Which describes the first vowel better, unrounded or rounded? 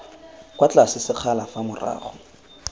unrounded